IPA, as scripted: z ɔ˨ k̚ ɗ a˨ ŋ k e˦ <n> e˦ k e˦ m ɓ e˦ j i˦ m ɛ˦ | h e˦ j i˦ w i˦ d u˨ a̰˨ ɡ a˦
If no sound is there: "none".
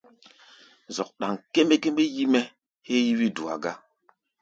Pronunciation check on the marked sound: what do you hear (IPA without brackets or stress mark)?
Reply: m